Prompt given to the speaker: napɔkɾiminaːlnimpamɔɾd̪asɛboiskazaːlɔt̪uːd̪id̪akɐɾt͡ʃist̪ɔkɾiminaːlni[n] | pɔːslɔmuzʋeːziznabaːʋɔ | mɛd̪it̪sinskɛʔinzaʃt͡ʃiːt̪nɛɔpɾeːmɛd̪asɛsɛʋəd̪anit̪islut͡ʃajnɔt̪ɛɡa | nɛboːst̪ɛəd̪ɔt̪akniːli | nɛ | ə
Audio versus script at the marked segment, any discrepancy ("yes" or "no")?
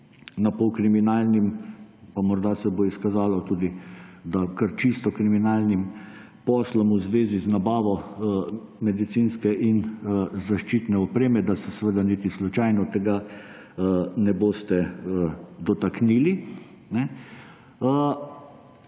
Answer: yes